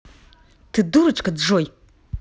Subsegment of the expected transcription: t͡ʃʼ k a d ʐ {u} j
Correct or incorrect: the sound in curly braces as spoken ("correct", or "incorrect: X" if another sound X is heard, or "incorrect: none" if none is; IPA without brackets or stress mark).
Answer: incorrect: o